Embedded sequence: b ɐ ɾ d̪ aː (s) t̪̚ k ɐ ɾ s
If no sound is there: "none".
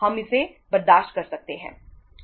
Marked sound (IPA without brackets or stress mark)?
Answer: ʃ